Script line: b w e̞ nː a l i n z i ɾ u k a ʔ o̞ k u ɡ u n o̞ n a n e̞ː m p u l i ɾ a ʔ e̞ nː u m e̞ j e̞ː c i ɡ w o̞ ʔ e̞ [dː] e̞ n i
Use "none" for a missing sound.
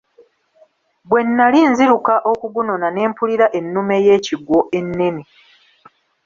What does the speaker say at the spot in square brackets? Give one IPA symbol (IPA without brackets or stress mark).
nː